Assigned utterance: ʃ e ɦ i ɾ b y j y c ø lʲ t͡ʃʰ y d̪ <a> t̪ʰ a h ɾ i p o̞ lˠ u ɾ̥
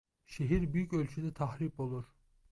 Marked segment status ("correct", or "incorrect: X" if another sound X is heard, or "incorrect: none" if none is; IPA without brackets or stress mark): incorrect: ɛ